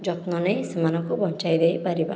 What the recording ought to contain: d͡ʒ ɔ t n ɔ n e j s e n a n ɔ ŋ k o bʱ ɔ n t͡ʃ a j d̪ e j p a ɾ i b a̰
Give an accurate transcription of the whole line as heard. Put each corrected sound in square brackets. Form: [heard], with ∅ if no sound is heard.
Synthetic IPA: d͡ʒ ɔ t n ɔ n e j s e [m] a n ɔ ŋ k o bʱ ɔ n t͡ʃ a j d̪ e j p a ɾ i b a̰